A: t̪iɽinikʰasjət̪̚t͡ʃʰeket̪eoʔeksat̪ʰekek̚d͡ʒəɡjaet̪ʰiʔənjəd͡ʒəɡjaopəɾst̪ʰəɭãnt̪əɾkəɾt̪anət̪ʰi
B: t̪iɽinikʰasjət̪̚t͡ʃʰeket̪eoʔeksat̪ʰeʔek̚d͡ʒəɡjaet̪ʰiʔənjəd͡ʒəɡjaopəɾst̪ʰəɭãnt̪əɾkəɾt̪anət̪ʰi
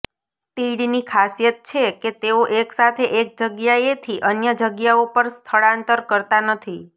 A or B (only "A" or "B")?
B